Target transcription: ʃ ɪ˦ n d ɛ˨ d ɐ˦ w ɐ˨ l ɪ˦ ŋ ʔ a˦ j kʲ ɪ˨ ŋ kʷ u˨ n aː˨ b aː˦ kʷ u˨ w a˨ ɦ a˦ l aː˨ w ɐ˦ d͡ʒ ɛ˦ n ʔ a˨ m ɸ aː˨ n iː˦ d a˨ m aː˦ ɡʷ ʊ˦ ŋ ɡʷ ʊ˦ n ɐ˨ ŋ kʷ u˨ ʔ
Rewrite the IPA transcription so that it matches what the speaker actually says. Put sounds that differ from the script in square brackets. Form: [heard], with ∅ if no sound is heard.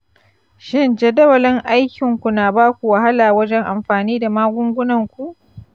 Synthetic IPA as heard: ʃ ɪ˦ n [d͡ʒ] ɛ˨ d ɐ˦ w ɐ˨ l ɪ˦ ŋ ʔ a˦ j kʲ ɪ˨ ŋ kʷ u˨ n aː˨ b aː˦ kʷ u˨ w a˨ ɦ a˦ l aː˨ w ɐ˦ d͡ʒ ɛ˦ [ŋ] ʔ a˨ m ɸ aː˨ n iː˦ d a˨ m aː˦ ɡʷ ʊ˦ ŋ ɡʷ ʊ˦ n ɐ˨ ŋ kʷ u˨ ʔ